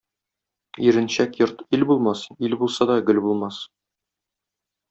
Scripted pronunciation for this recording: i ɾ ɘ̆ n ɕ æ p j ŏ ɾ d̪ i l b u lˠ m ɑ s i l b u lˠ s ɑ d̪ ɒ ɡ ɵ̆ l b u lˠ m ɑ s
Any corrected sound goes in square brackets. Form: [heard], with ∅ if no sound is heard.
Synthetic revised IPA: i ɾ ɘ̆ n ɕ æ [k] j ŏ ɾ [t̪] i l b u lˠ m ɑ s i l b u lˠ s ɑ d̪ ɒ ɡ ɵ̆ l b u lˠ m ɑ s